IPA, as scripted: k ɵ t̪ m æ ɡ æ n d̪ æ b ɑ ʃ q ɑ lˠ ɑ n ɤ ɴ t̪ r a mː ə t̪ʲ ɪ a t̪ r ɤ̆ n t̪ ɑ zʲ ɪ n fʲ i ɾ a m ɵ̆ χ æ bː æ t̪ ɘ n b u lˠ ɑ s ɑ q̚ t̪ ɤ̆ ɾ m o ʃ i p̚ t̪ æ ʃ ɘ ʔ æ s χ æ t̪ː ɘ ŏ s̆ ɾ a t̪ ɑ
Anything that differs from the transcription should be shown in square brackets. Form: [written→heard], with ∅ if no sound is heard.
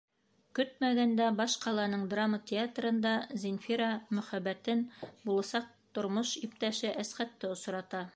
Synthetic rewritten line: k ɵ t̪ m æ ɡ æ n d̪ æ b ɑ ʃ q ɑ lˠ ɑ n ɤ ɴ [t̪→d̪] r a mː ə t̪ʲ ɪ a t̪ r ɤ̆ n [t̪→d̪] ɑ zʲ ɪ n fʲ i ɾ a m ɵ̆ χ æ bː æ t̪ ɘ n b u lˠ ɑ s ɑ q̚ t̪ [ɤ̆→ŏ] ɾ m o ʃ i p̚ t̪ æ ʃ ɘ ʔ æ s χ æ t̪ː ɘ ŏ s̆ ɾ [a→ɑ] t̪ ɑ